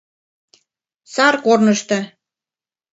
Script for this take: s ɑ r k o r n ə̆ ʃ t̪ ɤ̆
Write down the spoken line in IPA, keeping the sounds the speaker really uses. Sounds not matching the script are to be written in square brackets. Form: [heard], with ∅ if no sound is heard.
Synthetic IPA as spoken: s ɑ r k o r n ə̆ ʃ t̪ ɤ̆